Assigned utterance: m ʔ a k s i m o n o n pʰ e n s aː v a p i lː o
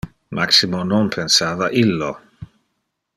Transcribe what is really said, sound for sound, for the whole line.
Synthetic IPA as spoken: m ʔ a k s i m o n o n pʰ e n s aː v a ʔ i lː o